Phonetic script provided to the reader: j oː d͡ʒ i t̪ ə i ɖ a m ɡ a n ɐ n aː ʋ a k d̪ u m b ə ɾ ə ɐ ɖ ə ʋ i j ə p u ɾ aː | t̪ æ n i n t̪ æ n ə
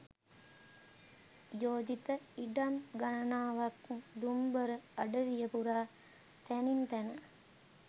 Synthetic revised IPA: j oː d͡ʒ i t̪ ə i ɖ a m ɡ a n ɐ n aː ʋ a k d̪ u m b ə ɾ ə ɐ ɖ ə ʋ i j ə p u ɾ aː | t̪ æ n i n t̪ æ n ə

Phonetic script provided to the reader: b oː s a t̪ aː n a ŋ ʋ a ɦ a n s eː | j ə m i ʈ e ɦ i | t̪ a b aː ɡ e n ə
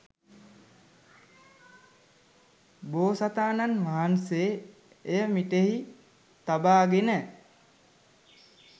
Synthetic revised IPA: b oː s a t̪ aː n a n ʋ a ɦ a n s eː | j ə m i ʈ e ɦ i | t̪ a b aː ɡ e n ə

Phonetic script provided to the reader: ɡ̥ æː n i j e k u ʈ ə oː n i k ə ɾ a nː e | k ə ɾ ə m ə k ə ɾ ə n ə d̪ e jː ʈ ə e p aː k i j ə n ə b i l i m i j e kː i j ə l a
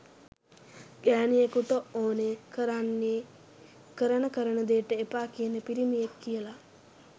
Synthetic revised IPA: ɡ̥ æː n i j e k u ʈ ə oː n e k ə ɾ a nː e | k ə ɾ ə n ə k ə ɾ ə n ə d̪ e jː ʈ ə e p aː k i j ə n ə p i ɾ i m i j e kː i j ə l a

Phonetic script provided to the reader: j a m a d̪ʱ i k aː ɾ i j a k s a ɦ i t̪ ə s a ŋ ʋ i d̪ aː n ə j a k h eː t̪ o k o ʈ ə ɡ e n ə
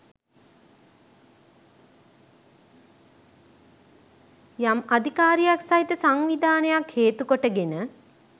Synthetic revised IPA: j a m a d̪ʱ i k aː ɾ i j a k s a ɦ i t̪ ə s a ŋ ʋ i d̪ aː n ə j a k h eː t̪ u k o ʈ ə ɡ e n ə

